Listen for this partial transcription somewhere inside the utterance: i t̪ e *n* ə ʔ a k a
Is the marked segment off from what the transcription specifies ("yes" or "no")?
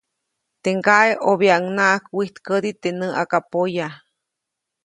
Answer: no